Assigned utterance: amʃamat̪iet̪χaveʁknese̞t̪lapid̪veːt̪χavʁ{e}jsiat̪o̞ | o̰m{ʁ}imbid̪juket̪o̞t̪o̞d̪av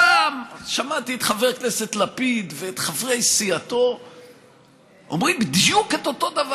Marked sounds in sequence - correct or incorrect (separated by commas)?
correct, correct